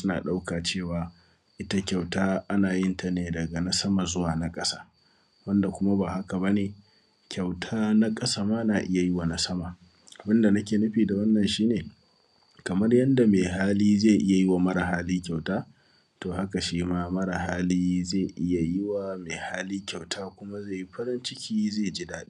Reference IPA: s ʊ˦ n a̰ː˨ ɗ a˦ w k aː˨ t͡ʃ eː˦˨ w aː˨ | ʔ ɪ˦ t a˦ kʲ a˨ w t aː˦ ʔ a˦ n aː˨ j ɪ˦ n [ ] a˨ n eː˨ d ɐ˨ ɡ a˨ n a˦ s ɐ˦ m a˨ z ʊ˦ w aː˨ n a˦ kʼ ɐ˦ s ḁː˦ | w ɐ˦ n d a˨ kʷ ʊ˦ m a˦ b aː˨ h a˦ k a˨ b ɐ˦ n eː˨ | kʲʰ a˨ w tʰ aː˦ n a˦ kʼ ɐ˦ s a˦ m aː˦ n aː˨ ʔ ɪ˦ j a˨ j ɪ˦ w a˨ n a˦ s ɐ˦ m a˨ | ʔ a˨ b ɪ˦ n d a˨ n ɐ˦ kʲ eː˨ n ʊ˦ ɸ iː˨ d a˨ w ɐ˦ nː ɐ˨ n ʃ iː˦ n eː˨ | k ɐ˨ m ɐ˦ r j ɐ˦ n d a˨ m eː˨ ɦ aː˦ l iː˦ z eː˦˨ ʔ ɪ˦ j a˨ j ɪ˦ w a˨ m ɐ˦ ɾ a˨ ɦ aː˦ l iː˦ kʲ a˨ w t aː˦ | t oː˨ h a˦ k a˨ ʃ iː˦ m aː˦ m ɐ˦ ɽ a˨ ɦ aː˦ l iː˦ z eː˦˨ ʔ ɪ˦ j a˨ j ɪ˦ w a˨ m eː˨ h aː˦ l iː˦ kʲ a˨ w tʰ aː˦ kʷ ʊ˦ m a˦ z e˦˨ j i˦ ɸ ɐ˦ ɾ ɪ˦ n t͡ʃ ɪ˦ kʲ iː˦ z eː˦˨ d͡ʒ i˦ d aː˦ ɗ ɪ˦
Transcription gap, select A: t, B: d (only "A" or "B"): A